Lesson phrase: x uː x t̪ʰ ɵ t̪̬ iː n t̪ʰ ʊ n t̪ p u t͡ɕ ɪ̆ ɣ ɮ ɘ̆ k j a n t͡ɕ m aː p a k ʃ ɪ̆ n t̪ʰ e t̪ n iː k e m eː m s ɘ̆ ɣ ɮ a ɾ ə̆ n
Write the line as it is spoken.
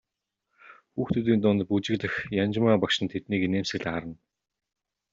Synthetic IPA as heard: x uː x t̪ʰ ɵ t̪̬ iː n t̪ ʊ n t̪ p u t͡ɕ ɪ̆ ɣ ɮ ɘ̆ x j a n t͡ɕ m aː p a k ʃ ɪ̆ n t̪ʰ e t̪ n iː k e n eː m s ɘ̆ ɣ ɮ a ɾ ə̆ n